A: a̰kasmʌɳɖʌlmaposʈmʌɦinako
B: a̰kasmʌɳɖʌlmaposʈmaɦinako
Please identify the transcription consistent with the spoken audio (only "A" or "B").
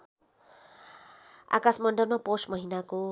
A